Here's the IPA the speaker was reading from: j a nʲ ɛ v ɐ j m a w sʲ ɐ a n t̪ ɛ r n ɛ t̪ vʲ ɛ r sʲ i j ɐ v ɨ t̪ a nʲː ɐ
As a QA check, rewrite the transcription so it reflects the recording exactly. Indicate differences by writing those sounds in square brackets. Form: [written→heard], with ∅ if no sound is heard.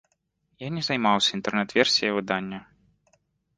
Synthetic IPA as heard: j a nʲ ɛ [v→z] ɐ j m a w sʲ ɐ [a→i] n t̪ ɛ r n ɛ t̪ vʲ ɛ r sʲ i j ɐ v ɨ [t̪→d̪] a nʲː ɐ